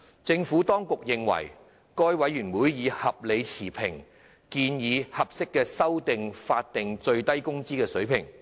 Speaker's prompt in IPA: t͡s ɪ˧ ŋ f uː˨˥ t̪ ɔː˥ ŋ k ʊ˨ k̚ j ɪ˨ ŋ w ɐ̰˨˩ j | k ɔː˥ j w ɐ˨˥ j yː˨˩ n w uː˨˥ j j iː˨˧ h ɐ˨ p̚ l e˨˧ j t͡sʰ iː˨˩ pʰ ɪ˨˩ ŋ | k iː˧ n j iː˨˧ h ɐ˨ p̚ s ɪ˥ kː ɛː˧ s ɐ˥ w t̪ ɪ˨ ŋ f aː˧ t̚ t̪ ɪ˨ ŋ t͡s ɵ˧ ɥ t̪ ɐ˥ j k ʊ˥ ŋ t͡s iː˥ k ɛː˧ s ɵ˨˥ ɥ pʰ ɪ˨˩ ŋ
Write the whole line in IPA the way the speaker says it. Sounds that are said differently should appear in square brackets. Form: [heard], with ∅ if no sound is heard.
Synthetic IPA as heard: t͡s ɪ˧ ŋ f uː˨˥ t̪ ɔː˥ ŋ k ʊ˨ k̚ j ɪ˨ ŋ w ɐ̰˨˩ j | k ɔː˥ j w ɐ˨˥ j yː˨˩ n w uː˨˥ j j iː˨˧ h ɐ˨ p̚ l e˨˧ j t͡sʰ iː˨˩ pʰ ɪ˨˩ ŋ | k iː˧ n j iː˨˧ h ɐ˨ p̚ s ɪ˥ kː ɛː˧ s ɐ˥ w t̪ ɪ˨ ŋ f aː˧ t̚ t̪ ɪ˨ ŋ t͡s ɵ˧ ɥ t̪ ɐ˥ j k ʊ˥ ŋ t͡s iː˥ k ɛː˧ s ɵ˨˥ ɥ pʰ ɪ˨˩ ŋ